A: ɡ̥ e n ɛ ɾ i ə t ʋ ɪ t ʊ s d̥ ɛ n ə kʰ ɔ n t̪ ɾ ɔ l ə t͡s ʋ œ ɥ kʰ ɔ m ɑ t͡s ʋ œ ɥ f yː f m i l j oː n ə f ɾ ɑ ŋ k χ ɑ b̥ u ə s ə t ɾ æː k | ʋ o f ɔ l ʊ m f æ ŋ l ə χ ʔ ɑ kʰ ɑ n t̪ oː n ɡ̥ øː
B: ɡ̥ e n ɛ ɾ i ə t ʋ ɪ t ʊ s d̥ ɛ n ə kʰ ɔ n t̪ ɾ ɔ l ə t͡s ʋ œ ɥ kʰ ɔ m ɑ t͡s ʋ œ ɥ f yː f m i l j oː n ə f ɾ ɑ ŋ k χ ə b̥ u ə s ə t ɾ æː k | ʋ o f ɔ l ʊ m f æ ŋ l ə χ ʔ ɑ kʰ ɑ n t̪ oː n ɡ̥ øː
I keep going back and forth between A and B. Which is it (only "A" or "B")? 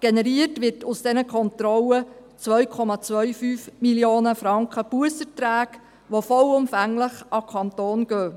B